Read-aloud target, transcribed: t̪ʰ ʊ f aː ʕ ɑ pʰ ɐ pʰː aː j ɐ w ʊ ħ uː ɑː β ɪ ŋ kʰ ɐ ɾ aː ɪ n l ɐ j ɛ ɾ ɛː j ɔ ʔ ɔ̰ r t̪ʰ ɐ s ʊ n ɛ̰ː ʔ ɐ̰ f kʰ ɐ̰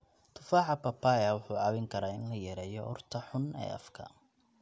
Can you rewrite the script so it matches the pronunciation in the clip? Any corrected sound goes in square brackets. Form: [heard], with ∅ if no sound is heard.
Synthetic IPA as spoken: t̪ʰ ʊ f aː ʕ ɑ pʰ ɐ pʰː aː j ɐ w ʊ ħ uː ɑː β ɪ ŋ kʰ ɐ ɾ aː ɪ n l ɐ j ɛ ɾ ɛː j ɔ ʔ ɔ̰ r t̪ʰ ɐ [ħ] ʊ n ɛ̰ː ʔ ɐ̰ f kʰ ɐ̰

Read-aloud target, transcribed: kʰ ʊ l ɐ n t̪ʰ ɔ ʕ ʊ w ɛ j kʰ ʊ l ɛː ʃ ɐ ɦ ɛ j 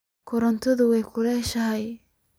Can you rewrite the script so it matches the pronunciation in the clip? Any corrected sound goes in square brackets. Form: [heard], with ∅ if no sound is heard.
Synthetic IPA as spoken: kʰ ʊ [ɾ] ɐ n t̪ʰ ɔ [ð] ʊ w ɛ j kʰ ʊ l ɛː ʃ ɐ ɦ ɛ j

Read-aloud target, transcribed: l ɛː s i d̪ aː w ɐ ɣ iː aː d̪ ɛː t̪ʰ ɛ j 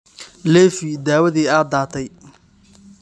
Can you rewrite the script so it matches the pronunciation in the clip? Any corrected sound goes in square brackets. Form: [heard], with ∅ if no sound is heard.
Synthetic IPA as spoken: l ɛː [f] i d̪ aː w ɐ [ð] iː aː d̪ [aː] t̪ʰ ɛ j

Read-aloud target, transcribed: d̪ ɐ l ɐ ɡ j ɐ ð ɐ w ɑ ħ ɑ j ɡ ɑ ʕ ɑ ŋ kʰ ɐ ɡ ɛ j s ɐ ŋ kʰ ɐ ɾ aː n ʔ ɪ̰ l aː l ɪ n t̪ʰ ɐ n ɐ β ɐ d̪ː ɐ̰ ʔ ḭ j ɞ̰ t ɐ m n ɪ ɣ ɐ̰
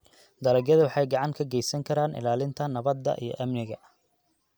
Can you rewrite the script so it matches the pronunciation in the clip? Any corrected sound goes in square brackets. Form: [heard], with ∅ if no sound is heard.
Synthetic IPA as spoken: d̪ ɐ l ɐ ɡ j ɐ ð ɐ w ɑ ħ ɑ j ɡ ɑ ʕ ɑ ŋ kʰ ɐ ɡ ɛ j s ɐ ŋ kʰ ɐ ɾ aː n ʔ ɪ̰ l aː l ɪ n t̪ʰ ɐ n ɐ β ɐ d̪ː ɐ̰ ʔ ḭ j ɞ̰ [ʔ] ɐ m n ɪ ɣ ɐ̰

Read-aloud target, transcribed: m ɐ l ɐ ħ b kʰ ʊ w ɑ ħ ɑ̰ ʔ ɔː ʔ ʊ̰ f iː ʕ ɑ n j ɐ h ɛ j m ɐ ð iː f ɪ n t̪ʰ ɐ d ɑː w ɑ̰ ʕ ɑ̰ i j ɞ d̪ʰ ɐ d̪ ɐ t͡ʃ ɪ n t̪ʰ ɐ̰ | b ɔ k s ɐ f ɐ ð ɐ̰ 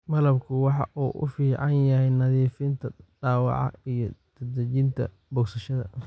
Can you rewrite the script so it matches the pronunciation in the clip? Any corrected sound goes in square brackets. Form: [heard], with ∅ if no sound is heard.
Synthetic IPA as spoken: m ɐ l ɐ [∅] b kʰ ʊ w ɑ ħ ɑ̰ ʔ [uː] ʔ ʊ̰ f iː ʕ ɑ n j ɐ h ɛ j [n] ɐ ð iː f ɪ n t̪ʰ ɐ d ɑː w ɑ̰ ʕ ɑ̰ i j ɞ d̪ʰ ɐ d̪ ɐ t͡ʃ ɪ n t̪ʰ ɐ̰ | b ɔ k s ɐ [ʃ] ɐ ð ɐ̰

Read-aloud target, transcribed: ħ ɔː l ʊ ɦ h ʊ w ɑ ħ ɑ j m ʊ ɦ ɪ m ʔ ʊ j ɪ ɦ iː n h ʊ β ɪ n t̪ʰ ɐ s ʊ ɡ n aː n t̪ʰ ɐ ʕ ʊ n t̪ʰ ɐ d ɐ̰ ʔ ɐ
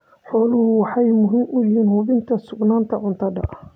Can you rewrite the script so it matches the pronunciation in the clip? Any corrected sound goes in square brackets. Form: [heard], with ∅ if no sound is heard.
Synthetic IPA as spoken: ħ ɔː l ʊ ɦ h ʊ w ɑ ħ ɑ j m ʊ ɦ ɪ m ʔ ʊ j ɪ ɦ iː n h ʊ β ɪ n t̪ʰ ɐ s ʊ ɡ n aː n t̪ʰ ɐ ʕ ʊ n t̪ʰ ɐ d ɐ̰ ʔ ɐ

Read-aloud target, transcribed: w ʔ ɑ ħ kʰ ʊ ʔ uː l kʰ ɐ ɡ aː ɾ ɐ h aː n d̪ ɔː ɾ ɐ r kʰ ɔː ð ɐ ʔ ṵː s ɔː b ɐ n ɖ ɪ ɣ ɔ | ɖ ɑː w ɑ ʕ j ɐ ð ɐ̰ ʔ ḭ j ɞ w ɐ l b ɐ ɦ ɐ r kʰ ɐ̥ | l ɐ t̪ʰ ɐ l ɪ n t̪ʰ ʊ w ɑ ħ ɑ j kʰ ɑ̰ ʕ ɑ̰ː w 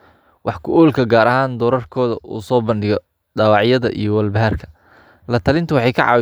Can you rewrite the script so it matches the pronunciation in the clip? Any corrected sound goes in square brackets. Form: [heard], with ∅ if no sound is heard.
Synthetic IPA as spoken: w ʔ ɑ ħ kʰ ʊ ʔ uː l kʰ ɐ ɡ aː ɾ ɐ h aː n d̪ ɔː ɾ ɐ r kʰ ɔː ð ɐ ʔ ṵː s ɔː b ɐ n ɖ ɪ ɣ ɔ | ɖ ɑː w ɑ ʕ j ɐ ð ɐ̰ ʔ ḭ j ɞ w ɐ l b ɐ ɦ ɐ r kʰ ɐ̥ | l ɐ t̪ʰ ɐ l ɪ n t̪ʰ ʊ w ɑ ħ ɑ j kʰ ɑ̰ ʕ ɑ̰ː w

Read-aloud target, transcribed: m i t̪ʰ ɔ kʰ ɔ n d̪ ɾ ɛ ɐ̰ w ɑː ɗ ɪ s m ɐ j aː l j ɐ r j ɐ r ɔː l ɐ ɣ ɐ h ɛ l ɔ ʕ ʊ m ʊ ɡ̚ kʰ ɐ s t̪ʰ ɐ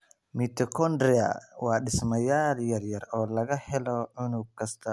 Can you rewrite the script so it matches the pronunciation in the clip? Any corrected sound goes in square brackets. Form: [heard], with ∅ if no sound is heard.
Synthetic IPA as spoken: m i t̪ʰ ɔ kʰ ɔ n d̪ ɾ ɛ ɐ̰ w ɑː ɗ ɪ s m ɐ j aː l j ɐ r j ɐ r ɔː l ɐ ɣ ɐ h ɛ l ɔ ʕ ʊ [n] ʊ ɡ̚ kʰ ɐ s t̪ʰ ɐ

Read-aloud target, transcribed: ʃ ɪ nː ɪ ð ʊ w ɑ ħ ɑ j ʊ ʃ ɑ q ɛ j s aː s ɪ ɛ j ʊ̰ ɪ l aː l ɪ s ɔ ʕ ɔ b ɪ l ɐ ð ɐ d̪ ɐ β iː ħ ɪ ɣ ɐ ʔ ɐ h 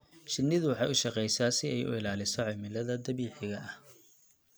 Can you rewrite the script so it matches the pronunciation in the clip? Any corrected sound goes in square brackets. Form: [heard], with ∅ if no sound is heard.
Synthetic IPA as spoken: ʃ ɪ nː ɪ ð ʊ w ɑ ħ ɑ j ʊ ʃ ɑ q ɛ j s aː s ɪ ɛ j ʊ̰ ɪ l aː l ɪ s ɔ ʕ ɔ [m] ɪ l ɐ ð ɐ d̪ ɐ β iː ħ ɪ ɣ ɐ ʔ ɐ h

